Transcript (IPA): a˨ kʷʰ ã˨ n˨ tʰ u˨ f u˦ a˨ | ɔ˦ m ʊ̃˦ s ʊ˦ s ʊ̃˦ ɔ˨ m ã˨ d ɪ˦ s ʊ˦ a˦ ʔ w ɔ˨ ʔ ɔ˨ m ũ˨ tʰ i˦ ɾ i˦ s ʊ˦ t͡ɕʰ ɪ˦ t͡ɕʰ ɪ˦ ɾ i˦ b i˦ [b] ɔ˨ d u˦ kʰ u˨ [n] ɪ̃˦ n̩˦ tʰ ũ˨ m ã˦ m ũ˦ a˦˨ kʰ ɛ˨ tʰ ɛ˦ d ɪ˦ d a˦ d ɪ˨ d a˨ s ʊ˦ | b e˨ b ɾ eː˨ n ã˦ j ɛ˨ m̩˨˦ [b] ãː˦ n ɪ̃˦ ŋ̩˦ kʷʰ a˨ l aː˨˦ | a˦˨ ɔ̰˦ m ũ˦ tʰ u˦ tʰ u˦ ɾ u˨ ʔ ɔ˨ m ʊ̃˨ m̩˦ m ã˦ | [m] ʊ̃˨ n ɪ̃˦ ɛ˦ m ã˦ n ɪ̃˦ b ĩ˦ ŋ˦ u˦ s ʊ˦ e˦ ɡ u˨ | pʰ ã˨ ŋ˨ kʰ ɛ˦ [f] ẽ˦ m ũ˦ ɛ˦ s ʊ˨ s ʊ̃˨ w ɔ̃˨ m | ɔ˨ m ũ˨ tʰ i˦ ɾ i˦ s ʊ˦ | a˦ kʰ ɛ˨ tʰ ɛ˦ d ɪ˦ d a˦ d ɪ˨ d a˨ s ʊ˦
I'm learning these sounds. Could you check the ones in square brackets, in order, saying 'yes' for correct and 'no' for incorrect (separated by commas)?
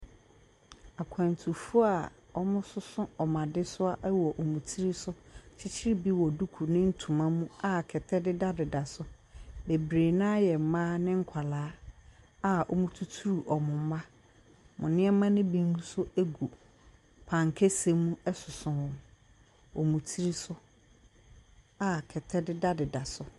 no, yes, no, yes, no